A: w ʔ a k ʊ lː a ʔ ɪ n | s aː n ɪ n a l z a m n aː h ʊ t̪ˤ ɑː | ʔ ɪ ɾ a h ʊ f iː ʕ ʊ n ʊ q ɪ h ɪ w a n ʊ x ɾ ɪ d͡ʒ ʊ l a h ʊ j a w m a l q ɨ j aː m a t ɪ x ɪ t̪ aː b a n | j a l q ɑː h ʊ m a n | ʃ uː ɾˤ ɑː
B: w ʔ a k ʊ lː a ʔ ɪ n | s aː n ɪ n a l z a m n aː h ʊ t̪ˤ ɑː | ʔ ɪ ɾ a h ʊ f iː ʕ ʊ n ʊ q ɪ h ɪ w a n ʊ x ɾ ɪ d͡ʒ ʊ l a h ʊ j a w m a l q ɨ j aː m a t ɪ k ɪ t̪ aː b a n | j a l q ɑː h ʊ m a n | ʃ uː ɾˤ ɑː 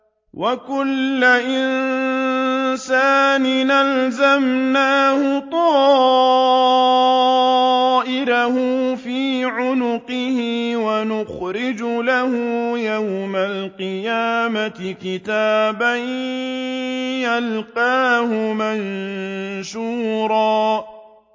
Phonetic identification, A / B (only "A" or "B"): B